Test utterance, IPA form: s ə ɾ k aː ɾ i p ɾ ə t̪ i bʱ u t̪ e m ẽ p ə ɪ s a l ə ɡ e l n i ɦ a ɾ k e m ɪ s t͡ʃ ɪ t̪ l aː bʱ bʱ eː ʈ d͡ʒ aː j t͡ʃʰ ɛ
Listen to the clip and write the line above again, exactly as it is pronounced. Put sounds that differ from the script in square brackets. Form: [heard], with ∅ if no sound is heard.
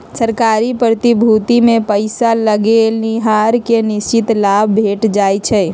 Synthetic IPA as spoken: s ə ɾ k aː ɾ i p ɾ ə t̪ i bʱ u t̪ [i] m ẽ p ə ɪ s a l ə ɡ e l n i ɦ a ɾ k e [n] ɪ s t͡ʃ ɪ t̪ l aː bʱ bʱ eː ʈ d͡ʒ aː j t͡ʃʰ ɛ